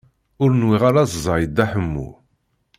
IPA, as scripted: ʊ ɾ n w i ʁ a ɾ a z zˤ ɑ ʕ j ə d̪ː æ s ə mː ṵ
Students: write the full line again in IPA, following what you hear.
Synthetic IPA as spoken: ʊ ɾ n w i ʁ a ɾ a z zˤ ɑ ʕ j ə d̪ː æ ħ ə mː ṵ